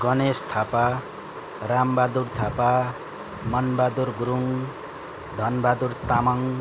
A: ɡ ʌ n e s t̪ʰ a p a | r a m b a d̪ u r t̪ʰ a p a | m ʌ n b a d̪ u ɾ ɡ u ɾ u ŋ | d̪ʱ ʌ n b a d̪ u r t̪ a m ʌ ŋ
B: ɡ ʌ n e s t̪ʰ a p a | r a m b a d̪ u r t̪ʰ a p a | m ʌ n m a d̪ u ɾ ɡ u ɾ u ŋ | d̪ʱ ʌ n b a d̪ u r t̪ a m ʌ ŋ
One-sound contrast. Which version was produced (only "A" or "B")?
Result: A